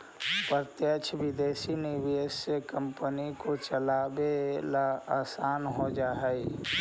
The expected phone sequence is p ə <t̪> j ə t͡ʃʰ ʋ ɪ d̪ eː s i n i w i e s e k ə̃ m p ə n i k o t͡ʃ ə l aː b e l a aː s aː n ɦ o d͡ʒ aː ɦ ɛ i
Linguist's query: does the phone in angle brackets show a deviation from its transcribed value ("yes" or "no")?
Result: no